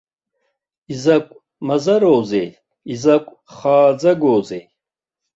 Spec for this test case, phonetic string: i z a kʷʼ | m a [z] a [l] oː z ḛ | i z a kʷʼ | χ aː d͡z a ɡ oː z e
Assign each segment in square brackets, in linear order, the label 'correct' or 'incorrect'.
correct, incorrect: ɾ

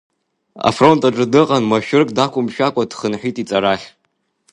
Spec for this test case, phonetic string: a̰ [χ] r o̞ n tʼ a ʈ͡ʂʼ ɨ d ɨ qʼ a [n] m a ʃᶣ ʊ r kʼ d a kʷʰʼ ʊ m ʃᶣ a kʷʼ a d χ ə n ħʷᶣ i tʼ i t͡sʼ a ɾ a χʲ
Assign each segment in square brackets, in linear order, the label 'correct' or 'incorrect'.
incorrect: f, correct

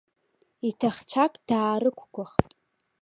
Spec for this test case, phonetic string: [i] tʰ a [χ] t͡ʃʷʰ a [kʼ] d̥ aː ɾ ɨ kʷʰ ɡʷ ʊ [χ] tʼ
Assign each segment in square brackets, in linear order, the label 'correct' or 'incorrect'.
correct, correct, correct, correct

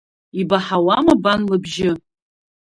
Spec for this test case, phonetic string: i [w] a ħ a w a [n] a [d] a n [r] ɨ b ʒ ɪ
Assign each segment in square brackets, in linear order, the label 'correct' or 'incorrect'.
incorrect: b, incorrect: m, incorrect: b, incorrect: l

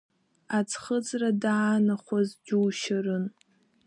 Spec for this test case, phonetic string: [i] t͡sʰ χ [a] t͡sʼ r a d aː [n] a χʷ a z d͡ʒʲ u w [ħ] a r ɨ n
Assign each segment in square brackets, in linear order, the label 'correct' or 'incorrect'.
incorrect: a, incorrect: ə, correct, incorrect: ʃ

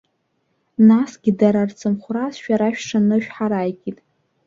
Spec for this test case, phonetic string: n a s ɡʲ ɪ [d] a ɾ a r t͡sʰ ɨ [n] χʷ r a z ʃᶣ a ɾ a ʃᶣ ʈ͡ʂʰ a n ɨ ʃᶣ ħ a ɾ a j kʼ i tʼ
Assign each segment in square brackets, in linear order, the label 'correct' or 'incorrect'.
correct, incorrect: m

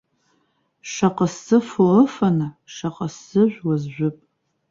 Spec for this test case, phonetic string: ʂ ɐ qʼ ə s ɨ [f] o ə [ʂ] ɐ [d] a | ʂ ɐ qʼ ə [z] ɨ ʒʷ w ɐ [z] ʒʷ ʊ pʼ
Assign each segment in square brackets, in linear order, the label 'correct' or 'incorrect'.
correct, incorrect: f, incorrect: n, incorrect: s, correct

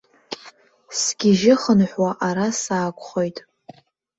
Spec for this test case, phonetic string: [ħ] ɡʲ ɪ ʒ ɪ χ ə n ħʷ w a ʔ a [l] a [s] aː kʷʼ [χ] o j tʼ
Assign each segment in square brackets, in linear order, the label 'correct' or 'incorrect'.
incorrect: s, incorrect: ɾ, correct, correct

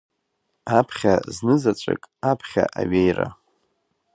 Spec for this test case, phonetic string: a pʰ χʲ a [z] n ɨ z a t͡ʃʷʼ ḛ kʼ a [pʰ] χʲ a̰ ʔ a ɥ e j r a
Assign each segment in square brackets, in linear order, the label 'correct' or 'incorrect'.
correct, correct

